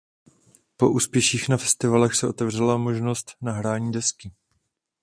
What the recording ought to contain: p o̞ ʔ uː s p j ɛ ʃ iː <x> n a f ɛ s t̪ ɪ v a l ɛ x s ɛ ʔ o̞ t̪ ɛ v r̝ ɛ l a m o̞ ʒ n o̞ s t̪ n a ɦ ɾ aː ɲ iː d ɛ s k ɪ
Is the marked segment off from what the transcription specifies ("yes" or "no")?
no